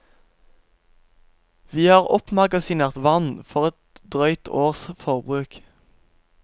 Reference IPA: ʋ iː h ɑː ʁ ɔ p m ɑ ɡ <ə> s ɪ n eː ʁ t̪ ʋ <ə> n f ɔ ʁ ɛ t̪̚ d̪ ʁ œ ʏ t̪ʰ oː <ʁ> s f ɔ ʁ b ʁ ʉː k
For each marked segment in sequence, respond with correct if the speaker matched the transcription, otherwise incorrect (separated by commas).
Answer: incorrect, incorrect, correct